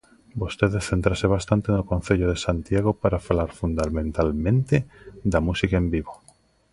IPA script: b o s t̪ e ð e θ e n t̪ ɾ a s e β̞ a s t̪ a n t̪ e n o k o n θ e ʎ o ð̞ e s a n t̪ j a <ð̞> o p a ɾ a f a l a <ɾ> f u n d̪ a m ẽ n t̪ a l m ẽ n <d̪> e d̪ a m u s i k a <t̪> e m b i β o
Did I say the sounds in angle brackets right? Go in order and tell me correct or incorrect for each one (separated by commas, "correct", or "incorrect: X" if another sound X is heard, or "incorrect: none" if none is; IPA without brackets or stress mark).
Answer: incorrect: ɣ̞, correct, incorrect: t̪, incorrect: none